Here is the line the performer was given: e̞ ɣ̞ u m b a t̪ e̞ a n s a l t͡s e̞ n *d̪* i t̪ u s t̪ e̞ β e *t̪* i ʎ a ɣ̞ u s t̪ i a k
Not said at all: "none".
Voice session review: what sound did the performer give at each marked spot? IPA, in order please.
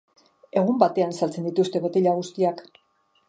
d̪, t̪

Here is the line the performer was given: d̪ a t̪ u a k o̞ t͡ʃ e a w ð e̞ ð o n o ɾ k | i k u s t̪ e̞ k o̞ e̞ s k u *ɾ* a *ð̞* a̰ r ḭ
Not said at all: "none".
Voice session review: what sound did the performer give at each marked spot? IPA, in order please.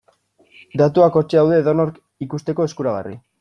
ɾ, ɣ̞

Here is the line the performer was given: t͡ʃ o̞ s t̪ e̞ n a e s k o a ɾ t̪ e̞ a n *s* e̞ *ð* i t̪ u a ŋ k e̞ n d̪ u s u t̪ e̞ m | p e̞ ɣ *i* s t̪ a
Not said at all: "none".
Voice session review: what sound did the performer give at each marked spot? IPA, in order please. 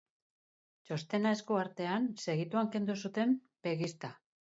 s, ɣ, i

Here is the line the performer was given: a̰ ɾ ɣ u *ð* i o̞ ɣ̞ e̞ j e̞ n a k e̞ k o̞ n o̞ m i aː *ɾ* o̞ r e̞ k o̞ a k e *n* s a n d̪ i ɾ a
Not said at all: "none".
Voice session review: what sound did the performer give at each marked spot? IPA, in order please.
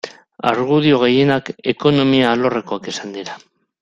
ð, l, none

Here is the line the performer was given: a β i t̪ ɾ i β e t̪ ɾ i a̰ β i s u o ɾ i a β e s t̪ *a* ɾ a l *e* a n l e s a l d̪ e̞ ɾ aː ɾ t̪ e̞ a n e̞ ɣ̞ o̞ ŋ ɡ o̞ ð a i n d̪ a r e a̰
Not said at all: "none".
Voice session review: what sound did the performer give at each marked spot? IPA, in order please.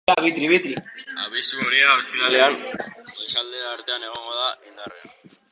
i, e

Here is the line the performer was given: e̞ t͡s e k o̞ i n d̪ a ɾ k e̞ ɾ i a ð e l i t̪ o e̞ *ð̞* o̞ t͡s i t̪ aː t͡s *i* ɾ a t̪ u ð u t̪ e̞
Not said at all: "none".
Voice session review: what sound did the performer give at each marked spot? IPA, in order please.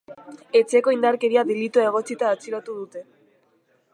ɣ̞, i

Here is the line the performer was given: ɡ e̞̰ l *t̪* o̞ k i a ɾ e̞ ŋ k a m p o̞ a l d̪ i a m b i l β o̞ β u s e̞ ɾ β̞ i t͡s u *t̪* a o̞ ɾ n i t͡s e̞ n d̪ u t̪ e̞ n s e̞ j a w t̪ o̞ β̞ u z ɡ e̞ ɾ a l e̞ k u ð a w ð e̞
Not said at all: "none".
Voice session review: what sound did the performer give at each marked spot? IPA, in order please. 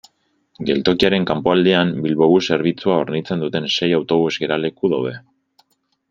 t̪, none

